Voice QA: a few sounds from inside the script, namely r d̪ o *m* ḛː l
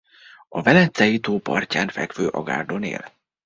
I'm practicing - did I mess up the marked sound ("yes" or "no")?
yes